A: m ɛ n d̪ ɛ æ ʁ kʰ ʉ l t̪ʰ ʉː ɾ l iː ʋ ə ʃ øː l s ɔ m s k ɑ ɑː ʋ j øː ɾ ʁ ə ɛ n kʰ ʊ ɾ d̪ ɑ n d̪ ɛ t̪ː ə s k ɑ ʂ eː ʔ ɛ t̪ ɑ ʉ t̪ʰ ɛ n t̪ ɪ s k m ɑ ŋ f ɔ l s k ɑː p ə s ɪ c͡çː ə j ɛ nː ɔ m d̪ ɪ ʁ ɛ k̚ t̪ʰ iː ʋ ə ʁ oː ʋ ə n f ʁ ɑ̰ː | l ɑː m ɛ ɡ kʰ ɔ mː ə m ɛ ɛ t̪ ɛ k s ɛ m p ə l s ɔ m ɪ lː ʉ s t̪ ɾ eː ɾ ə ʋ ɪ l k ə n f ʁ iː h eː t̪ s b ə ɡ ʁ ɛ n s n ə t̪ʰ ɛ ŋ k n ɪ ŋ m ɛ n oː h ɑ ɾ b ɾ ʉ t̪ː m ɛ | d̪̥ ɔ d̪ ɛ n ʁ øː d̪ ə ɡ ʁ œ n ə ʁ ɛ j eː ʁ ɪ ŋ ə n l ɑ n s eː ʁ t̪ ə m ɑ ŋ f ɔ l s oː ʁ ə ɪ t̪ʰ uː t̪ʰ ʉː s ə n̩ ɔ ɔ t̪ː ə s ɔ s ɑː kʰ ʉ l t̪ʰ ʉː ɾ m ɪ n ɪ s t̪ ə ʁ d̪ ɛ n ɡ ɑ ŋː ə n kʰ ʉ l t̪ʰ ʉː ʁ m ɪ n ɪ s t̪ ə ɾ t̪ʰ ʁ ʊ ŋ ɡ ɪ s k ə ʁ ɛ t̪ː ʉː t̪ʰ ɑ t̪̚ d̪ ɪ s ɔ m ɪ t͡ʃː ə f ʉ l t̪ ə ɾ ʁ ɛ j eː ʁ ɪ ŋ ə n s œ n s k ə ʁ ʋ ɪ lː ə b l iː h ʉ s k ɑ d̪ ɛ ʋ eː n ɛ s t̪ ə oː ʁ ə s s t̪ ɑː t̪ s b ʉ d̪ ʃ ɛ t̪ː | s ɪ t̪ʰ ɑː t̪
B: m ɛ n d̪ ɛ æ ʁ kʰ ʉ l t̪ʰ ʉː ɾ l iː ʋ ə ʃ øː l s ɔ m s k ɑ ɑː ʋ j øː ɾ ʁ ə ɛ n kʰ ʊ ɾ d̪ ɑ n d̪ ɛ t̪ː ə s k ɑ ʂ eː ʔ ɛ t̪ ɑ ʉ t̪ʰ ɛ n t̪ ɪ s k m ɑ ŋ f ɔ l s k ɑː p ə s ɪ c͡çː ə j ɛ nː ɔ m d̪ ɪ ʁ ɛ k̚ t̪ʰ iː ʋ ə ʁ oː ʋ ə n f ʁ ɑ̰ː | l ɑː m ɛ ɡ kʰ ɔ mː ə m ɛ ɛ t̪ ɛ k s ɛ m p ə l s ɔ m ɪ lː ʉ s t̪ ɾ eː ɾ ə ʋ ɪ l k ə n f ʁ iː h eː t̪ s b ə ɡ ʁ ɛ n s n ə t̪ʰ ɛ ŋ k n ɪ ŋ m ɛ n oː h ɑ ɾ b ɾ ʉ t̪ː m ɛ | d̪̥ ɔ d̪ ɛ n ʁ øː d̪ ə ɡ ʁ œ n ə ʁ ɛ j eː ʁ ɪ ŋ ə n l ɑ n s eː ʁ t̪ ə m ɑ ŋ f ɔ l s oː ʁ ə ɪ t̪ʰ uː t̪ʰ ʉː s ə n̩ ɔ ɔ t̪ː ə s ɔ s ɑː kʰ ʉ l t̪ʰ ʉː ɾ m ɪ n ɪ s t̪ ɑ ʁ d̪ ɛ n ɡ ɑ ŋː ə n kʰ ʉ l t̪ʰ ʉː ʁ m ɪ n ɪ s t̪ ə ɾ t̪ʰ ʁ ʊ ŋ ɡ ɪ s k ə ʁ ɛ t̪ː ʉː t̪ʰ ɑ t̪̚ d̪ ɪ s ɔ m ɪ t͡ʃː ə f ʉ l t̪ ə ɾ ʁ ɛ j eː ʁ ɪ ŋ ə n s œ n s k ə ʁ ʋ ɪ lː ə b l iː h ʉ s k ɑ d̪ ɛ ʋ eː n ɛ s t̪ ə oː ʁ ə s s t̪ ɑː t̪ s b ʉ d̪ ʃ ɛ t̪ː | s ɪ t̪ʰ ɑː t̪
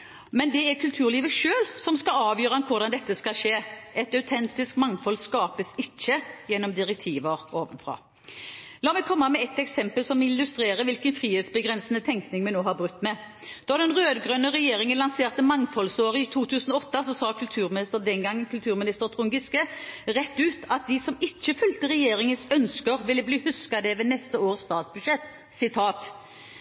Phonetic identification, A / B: A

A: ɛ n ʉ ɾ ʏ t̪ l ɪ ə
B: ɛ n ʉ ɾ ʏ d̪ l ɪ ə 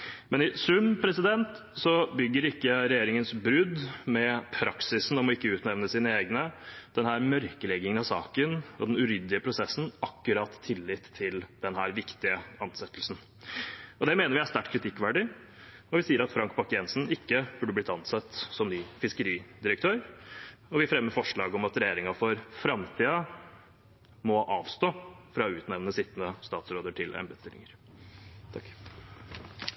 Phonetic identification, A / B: B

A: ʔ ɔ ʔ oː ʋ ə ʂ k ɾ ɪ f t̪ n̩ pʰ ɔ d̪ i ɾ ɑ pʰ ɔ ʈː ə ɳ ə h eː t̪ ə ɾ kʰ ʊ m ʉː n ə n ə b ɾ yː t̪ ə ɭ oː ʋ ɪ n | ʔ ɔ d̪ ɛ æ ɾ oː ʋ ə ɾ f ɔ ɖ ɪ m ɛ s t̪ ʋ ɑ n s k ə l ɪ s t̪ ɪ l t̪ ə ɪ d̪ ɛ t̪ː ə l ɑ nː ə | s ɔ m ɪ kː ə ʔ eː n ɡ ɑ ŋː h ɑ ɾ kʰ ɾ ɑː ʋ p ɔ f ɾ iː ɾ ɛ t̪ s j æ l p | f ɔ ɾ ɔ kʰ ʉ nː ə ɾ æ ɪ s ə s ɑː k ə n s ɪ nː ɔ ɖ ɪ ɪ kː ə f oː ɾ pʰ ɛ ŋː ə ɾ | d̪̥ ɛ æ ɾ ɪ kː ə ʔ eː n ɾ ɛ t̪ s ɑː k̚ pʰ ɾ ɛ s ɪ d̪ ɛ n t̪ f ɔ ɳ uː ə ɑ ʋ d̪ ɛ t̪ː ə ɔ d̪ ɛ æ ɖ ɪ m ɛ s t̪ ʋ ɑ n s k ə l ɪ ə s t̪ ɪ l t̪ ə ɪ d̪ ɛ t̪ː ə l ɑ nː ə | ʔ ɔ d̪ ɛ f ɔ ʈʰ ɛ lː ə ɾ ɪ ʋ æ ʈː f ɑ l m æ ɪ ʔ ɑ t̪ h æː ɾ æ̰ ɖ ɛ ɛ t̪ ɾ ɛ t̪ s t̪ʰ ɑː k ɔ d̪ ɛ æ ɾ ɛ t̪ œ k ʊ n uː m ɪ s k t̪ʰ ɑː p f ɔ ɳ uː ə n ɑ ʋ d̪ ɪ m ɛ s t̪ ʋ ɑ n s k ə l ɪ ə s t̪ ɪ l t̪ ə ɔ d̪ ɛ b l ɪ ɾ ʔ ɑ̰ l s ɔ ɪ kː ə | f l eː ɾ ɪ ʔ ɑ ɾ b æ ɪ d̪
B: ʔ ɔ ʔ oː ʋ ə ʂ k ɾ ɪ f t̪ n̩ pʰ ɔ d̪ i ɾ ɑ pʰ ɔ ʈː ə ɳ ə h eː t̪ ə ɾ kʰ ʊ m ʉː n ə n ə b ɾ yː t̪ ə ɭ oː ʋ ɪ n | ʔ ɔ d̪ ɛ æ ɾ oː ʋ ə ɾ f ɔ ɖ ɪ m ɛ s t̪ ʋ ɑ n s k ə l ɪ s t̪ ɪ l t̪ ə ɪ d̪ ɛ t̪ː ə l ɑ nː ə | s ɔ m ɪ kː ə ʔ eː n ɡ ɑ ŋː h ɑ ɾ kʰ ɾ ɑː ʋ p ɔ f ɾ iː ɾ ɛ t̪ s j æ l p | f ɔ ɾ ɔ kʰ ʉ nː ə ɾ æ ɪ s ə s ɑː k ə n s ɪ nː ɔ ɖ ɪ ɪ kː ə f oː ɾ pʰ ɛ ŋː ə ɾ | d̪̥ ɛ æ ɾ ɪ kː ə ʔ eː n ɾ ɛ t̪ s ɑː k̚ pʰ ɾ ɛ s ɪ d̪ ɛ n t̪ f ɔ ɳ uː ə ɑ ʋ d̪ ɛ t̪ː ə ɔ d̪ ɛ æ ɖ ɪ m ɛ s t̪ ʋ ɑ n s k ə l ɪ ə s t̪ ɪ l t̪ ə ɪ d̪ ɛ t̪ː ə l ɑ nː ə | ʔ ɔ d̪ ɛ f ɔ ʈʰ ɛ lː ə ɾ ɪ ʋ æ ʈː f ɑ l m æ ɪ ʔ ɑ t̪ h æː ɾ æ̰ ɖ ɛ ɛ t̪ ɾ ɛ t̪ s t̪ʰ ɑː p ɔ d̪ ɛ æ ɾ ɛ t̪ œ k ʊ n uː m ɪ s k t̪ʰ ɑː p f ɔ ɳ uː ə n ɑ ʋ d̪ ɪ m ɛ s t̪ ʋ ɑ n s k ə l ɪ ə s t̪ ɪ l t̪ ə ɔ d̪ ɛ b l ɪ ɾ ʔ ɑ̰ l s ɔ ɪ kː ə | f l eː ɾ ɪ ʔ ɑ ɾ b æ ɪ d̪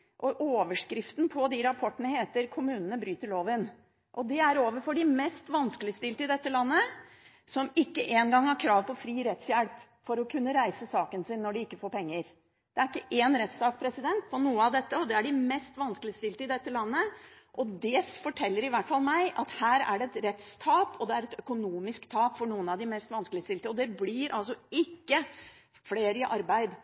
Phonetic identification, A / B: B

